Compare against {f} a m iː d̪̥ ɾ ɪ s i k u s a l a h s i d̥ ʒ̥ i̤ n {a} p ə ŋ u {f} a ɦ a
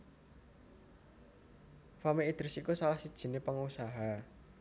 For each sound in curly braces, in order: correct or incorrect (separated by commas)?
correct, incorrect, incorrect